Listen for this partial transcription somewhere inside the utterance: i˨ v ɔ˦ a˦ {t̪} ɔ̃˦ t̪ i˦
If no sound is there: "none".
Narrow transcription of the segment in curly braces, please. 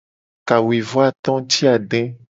t̪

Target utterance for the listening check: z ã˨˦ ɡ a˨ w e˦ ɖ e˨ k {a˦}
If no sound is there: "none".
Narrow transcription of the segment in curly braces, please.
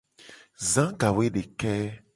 ɛ˦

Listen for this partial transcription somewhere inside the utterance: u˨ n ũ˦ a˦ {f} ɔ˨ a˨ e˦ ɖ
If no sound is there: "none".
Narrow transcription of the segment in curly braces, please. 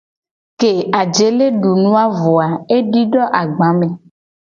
v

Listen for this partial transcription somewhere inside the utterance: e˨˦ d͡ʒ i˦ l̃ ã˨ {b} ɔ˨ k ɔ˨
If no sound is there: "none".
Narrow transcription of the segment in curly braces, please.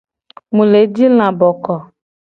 b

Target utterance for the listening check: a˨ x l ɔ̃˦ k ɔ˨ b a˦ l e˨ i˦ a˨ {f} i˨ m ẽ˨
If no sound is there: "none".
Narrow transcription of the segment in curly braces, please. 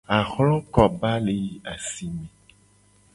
s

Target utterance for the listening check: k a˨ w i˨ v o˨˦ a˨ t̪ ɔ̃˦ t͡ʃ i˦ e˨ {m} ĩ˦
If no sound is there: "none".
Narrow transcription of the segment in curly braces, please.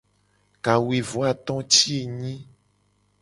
ɲ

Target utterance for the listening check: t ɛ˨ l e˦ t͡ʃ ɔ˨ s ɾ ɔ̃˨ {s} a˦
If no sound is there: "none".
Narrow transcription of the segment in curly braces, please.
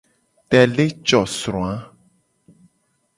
none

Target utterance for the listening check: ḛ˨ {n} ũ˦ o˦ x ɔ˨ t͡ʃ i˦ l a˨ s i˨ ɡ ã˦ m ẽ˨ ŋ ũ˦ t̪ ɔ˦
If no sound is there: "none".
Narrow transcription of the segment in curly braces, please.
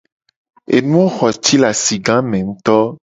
n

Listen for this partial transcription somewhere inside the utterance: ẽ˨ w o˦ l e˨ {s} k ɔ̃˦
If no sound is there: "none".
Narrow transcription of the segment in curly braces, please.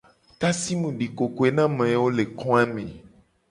none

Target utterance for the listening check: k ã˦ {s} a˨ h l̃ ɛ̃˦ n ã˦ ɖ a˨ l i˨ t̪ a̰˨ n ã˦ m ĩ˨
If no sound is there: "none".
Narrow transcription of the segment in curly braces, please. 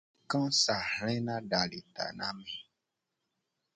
s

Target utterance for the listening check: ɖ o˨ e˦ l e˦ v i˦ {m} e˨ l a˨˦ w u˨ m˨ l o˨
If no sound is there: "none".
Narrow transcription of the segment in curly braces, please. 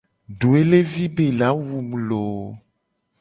b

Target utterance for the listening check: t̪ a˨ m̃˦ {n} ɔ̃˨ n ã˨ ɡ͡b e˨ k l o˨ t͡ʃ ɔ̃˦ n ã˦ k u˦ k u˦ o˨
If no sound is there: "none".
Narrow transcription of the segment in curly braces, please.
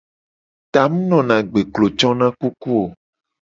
n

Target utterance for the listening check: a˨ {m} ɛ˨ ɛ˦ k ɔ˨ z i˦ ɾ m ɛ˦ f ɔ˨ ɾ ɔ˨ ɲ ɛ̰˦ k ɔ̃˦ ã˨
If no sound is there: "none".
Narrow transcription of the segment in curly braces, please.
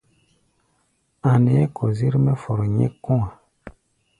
n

